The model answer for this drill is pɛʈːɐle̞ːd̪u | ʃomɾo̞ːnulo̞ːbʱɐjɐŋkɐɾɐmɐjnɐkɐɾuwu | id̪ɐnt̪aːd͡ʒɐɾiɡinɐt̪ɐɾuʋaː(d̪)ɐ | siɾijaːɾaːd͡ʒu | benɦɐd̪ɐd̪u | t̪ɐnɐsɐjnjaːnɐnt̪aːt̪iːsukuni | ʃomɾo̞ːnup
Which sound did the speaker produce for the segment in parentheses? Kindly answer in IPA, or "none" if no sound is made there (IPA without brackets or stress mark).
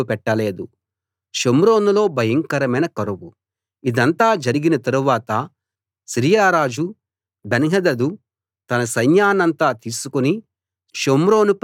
t̪